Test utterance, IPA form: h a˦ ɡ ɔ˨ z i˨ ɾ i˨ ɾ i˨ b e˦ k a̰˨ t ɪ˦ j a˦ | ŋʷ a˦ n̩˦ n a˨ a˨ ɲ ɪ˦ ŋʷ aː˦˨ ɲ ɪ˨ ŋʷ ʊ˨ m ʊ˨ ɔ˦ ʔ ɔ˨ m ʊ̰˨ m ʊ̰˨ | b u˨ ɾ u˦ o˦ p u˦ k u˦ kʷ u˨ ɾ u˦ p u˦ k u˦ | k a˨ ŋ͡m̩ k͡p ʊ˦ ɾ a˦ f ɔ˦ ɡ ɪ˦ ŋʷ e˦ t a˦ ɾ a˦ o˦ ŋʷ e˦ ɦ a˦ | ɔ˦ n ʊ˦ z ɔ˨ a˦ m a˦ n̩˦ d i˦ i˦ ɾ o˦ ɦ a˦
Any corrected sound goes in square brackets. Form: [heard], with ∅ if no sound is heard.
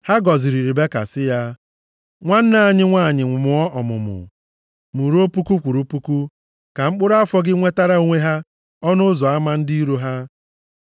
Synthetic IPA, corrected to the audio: h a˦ ɡ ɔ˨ z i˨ ɾ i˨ ɾ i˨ b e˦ k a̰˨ [s] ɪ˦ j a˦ | ŋʷ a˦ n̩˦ n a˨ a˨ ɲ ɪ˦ ŋʷ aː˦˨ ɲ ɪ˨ ŋʷ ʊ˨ m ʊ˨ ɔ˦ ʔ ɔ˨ m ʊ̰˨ m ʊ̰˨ | [m] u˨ ɾ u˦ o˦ p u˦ k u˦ kʷ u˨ ɾ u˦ p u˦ k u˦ | k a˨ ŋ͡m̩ k͡p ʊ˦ ɾ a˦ f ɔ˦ ɡ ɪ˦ ŋʷ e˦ t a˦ ɾ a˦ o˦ ŋʷ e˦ ɦ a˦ | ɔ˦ n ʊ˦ z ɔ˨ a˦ m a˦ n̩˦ d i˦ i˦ ɾ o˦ ɦ a˦